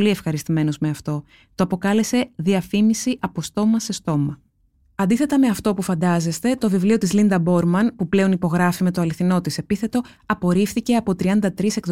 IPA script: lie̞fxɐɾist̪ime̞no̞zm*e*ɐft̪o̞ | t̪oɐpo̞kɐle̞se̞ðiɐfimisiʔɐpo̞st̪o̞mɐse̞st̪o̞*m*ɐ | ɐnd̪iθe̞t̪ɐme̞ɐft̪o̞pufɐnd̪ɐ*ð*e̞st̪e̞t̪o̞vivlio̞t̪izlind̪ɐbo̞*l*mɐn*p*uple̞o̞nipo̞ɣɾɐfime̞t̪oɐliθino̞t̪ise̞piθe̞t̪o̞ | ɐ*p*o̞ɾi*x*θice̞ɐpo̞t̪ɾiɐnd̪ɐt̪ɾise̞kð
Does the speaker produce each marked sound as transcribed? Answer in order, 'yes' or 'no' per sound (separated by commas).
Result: yes, yes, no, no, yes, yes, no